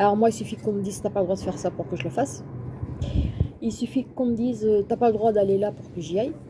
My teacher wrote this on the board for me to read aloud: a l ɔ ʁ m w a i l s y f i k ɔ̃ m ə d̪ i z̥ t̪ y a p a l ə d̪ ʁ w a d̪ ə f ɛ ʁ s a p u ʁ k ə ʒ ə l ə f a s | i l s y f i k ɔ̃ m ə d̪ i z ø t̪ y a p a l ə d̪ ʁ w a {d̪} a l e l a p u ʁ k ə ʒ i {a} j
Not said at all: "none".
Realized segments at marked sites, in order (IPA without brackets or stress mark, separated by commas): d̪, a